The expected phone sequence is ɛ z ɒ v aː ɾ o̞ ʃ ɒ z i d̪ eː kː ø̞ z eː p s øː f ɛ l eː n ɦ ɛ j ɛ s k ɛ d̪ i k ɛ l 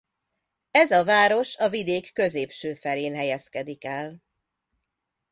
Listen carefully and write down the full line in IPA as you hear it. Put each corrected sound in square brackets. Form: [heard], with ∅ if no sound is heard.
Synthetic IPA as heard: ɛ z ɒ v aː ɾ o̞ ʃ ɒ [v] i d̪ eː kː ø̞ z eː p [ʃ] øː f ɛ l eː n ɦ ɛ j ɛ s k ɛ d̪ i k ɛ l